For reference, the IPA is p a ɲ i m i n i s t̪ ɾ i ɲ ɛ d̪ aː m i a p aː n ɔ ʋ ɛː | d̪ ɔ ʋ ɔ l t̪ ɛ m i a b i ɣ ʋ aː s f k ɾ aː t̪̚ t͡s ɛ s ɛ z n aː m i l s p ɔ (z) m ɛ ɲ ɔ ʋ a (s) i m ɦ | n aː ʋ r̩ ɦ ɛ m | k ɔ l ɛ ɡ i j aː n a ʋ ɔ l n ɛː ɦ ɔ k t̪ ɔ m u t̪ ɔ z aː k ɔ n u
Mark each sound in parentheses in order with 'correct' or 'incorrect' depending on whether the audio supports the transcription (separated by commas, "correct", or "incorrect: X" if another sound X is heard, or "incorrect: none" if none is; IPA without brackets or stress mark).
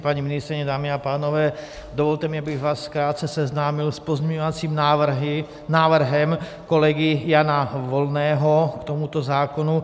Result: correct, incorrect: t͡s